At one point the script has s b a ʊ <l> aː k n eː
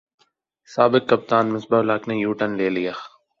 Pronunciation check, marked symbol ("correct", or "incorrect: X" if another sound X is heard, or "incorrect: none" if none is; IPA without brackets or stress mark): correct